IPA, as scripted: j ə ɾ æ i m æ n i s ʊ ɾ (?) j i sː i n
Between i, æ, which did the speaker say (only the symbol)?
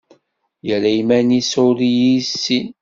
i